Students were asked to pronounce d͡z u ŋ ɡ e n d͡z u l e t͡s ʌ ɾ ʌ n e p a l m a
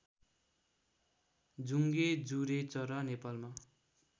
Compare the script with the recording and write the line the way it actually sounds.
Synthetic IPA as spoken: d͡z u ŋ ɡ e d͡z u ɾ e t͡s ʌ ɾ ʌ n e p a l m a